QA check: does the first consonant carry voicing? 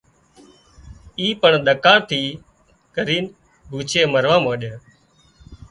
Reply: no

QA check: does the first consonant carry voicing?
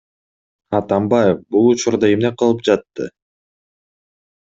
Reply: no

